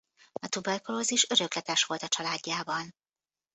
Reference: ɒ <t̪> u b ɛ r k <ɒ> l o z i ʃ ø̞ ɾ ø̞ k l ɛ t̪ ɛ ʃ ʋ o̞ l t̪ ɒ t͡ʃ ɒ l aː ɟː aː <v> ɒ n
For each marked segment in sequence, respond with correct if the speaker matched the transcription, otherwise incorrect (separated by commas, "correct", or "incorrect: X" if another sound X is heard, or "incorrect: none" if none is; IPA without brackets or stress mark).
correct, incorrect: o, incorrect: b